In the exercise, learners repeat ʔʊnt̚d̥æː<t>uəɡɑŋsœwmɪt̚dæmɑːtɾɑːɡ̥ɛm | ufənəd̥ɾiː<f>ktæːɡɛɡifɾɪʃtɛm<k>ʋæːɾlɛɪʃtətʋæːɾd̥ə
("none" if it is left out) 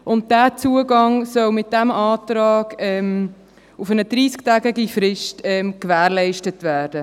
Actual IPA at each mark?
t͡s, s, k

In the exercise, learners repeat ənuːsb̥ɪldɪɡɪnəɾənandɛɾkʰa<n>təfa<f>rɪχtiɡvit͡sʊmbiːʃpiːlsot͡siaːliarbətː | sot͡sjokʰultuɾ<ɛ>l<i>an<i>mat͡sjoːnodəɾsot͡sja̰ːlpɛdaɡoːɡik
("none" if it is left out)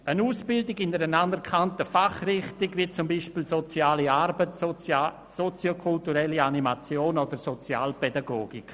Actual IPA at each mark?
n, χ, ɛ, i, i

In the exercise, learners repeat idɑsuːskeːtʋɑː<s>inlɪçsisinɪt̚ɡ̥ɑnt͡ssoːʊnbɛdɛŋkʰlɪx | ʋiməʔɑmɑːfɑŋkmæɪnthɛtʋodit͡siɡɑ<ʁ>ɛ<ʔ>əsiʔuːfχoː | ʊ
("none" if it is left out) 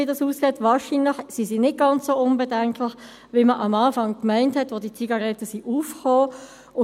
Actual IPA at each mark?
ʃ, ʁ, t

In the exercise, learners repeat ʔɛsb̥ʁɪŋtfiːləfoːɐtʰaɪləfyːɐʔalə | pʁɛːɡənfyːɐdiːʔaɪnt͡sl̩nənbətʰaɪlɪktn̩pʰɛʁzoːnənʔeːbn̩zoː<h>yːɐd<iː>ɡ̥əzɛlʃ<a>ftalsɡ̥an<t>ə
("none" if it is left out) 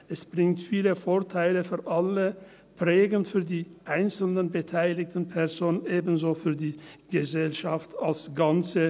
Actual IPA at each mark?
f, iː, a, t͡s

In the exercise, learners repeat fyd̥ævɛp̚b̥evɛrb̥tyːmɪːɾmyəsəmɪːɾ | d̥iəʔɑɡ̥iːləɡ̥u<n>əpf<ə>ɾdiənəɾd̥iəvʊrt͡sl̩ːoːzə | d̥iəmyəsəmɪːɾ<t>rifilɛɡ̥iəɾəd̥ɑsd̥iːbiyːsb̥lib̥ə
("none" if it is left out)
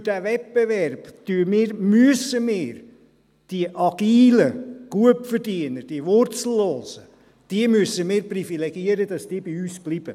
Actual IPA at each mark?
none, ə, p

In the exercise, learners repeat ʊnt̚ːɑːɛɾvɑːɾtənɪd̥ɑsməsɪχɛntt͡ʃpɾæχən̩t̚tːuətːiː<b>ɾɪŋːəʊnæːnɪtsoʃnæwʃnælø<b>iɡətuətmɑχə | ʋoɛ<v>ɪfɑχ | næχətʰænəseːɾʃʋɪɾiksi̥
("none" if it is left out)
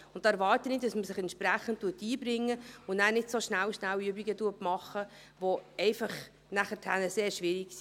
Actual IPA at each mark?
b, b, none

